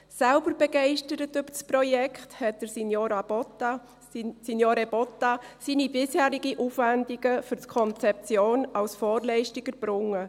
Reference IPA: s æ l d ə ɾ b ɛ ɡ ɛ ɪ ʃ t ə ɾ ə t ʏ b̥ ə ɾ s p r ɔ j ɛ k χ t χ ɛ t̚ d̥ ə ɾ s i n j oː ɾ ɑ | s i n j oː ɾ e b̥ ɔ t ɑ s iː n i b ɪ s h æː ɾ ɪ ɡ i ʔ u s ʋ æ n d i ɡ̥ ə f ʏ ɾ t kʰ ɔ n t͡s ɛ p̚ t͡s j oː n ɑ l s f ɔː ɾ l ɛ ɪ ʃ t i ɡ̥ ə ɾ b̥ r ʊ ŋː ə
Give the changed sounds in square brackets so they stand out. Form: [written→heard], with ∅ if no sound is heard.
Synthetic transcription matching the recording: s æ l [d→b] ə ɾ b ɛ ɡ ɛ ɪ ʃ t ə ɾ ə t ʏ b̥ ə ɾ s p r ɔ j ɛ k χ t [χ→h] ɛ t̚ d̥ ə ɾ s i n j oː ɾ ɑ | s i n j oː ɾ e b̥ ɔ t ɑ s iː n i b ɪ s h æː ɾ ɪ ɡ i ʔ u [s→f] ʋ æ n d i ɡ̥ ə f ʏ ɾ t kʰ ɔ n t͡s ɛ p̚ t͡s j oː n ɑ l s f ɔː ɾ l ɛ ɪ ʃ t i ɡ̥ ə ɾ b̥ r ʊ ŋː ə